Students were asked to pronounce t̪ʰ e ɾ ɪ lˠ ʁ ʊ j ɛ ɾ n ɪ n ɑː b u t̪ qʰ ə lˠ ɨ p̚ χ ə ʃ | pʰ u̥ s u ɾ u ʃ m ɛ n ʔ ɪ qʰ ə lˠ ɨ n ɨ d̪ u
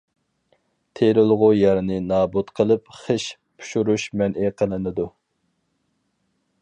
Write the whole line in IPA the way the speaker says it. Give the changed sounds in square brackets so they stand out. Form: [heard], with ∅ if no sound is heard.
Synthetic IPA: t̪ʰ e ɾ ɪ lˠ ʁ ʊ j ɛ ɾ n ɪ n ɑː b u t̪ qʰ ə lˠ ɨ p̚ χ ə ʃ | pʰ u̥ [ʃ] u ɾ u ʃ m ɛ n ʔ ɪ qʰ ə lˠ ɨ n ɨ d̪ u